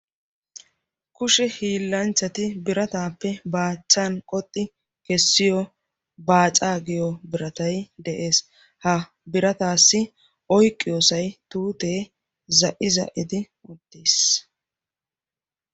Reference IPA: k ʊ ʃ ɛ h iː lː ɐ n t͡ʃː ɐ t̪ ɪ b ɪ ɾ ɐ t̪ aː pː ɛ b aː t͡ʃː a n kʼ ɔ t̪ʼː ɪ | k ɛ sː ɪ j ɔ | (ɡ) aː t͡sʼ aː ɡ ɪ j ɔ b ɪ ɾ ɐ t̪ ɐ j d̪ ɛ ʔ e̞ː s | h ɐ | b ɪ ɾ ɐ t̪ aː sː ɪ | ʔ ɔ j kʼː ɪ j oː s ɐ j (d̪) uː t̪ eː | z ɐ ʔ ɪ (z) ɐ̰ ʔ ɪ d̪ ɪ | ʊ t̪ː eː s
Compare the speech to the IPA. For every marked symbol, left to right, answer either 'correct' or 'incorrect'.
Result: incorrect, incorrect, correct

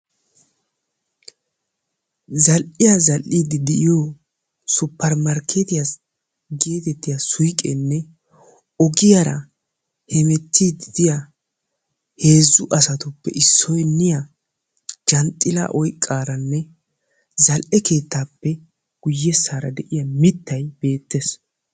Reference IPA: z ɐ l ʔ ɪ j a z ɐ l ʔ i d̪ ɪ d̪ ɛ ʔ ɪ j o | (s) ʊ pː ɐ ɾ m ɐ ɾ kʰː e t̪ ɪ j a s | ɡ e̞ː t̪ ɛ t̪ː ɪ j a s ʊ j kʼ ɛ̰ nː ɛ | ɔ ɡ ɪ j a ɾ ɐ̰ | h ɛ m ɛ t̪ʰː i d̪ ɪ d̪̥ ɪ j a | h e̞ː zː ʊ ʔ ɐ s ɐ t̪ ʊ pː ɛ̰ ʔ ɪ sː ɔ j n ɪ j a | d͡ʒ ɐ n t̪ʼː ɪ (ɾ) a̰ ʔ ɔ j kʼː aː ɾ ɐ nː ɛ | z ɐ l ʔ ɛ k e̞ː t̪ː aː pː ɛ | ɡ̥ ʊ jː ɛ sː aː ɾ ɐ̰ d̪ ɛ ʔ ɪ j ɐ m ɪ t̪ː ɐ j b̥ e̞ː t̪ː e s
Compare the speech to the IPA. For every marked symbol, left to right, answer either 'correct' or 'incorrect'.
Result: correct, incorrect

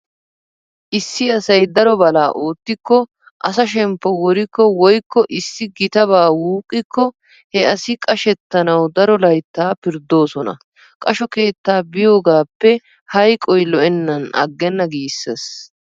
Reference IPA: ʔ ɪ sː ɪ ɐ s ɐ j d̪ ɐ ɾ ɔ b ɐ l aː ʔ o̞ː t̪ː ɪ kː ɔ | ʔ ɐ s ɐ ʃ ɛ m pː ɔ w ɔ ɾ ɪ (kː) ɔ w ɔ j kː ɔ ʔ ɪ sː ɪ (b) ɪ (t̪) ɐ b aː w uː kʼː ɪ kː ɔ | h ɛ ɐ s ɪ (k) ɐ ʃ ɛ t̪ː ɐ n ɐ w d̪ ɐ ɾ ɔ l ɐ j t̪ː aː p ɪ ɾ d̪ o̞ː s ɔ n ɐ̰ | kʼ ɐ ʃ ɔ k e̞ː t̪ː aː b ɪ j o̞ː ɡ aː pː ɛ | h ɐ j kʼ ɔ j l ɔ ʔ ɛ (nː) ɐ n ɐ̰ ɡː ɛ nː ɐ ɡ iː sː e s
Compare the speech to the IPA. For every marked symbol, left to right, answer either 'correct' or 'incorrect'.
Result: correct, incorrect, correct, incorrect, correct

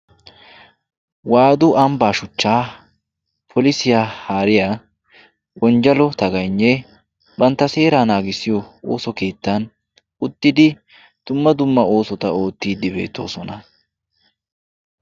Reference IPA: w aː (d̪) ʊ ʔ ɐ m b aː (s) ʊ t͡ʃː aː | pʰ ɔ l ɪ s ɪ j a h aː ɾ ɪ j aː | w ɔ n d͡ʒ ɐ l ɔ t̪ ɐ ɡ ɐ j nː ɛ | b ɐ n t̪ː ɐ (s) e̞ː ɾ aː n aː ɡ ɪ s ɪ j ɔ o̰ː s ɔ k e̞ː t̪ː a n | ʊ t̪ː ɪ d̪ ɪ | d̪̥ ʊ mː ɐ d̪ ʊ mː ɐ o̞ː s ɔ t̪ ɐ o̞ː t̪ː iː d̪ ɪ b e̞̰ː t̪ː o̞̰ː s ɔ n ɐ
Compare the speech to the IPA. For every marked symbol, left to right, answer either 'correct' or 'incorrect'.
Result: correct, incorrect, correct

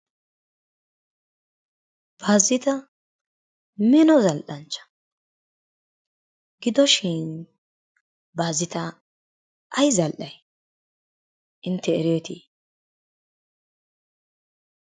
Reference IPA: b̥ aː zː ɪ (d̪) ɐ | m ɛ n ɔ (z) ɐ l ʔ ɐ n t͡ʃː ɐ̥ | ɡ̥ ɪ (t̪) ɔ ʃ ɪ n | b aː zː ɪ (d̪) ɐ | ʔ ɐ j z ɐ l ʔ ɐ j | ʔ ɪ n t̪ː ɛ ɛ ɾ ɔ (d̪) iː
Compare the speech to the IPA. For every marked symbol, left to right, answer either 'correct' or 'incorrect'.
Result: incorrect, correct, incorrect, incorrect, incorrect

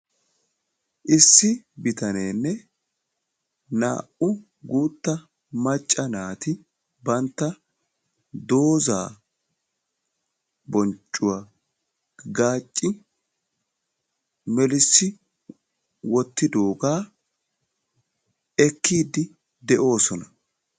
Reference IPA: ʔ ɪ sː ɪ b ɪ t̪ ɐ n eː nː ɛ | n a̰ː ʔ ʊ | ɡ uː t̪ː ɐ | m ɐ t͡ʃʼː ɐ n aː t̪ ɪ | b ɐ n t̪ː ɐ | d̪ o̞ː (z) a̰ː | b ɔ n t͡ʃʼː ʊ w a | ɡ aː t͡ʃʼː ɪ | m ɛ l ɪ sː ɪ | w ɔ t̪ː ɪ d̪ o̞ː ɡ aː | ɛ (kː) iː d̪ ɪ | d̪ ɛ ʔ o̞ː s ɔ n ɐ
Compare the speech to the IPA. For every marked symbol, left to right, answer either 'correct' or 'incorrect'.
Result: correct, correct

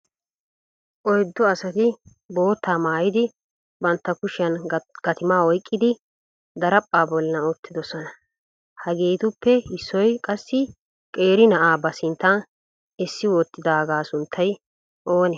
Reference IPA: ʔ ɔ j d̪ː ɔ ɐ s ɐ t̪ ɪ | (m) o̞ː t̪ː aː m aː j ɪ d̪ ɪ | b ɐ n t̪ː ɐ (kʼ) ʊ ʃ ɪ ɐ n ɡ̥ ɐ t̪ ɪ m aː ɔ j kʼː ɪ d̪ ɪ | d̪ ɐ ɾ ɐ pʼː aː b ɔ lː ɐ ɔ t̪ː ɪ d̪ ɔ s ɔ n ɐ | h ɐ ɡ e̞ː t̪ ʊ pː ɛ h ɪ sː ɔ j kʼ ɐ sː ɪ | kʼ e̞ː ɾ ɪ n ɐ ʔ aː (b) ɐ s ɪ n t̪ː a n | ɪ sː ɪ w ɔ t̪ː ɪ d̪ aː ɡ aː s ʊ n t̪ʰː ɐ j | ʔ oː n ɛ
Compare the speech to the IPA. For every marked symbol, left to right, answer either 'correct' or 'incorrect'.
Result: incorrect, incorrect, correct

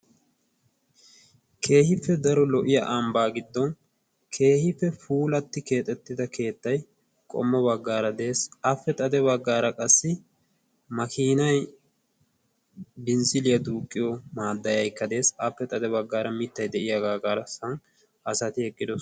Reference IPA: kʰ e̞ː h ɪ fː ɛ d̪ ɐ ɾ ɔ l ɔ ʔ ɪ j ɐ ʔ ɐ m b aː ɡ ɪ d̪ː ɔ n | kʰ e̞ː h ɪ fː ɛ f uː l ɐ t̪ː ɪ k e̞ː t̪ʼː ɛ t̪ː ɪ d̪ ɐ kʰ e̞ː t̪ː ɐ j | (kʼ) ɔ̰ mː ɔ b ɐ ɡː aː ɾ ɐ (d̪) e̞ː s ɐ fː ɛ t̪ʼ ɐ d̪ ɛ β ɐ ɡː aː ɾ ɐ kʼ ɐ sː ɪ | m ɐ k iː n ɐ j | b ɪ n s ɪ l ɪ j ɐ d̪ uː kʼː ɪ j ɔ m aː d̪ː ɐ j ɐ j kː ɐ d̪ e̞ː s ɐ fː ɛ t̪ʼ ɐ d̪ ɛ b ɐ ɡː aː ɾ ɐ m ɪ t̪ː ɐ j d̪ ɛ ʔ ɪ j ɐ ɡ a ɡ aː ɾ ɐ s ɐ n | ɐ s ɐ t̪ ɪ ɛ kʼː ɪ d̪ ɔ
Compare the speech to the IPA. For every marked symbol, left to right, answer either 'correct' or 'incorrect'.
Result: correct, correct

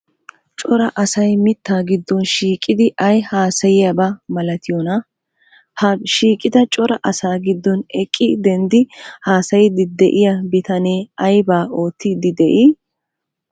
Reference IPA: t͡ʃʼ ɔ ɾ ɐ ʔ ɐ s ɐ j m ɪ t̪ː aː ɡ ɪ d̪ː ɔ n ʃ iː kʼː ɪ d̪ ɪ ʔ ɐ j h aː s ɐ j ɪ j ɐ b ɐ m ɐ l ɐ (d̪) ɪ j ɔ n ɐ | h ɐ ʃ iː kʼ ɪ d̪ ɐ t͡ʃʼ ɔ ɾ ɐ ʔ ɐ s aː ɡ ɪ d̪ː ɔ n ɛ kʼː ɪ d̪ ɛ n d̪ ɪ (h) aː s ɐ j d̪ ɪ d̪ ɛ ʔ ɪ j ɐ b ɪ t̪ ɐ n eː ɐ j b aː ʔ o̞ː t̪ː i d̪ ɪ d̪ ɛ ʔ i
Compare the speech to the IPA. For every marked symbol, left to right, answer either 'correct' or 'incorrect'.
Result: incorrect, correct

